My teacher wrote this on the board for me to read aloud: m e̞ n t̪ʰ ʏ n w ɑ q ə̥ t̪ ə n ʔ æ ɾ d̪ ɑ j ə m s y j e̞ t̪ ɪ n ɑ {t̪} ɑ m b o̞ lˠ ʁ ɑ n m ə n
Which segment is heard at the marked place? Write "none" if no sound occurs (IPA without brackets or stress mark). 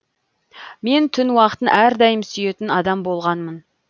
d̪